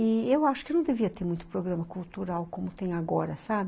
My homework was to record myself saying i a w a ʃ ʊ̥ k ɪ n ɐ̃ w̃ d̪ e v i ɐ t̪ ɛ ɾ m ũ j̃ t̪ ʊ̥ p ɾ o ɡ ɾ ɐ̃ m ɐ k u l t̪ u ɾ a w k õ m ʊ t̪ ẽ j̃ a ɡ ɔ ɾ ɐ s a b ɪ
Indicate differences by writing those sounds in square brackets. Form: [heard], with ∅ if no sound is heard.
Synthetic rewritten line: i [e] w a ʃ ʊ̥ k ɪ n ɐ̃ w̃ d̪ e v i ɐ t̪ [e] ɾ m ũ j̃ t̪ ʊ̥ p ɾ o ɡ ɾ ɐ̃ m ɐ k u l t̪ u ɾ a w k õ m ʊ t̪ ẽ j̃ a ɡ ɔ ɾ ɐ s a b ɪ